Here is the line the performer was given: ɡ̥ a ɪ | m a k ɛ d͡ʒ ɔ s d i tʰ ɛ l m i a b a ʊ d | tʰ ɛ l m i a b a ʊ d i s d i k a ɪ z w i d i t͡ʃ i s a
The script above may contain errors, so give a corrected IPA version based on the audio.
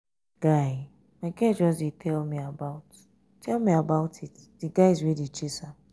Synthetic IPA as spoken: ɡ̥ a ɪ | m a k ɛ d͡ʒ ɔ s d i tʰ ɛ l m i a b a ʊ t | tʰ ɛ l m i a b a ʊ t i t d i ɡ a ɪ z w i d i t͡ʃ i s a